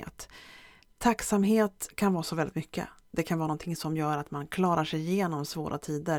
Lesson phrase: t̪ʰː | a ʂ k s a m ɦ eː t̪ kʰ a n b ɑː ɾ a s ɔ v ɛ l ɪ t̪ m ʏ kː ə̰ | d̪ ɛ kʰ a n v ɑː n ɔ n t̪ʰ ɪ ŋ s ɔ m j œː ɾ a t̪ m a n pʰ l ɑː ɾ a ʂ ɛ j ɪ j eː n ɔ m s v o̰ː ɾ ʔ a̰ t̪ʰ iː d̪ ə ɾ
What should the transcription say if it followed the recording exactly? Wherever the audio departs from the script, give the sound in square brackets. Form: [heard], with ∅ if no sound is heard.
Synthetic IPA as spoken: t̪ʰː | a [∅] k s a m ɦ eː t̪ kʰ a n [v] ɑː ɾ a s ɔ v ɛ l ɪ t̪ m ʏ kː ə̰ | d̪ ɛ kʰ a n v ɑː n ɔ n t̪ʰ ɪ ŋ s ɔ m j œː ɾ a t̪ m a n [kʰ] l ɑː ɾ a ʂ ɛ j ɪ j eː n ɔ m s v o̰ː ɾ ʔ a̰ t̪ʰ iː d̪ ə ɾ